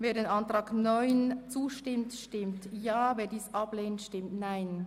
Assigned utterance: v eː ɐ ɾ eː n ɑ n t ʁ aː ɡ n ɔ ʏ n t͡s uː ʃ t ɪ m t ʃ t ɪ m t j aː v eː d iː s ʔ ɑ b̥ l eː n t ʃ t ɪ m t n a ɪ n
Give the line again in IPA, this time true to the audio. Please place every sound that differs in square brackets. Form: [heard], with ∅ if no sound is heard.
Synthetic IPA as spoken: v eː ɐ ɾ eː n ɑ n t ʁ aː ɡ n ɔ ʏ n t͡s uː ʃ t ɪ m t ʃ t ɪ m t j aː v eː d iː s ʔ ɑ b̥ l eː n t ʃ t ɪ m t n a ɪ n